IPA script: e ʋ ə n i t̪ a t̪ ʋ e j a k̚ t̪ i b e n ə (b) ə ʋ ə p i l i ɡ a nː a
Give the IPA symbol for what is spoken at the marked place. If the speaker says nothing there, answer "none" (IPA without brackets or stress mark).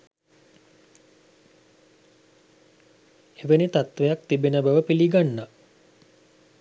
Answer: b